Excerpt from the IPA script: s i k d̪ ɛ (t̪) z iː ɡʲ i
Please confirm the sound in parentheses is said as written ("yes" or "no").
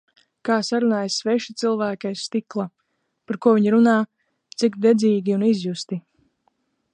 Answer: no